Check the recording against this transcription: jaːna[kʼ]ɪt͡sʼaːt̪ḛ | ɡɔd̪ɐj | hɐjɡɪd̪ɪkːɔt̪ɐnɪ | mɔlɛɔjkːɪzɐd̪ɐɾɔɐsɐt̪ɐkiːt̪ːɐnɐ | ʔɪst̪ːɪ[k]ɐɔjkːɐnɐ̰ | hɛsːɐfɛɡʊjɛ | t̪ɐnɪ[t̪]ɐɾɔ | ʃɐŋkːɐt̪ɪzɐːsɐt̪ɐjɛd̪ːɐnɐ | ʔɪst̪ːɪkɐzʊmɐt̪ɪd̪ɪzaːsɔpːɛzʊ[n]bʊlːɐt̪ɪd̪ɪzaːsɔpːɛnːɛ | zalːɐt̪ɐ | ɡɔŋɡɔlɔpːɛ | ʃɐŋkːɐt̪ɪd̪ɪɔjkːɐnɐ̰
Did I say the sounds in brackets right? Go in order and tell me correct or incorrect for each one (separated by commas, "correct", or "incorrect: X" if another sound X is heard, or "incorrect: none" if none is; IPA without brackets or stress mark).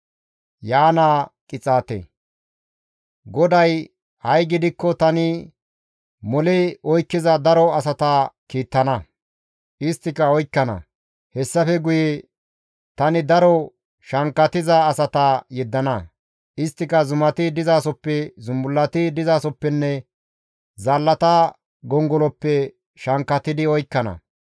correct, correct, incorrect: d̪, incorrect: m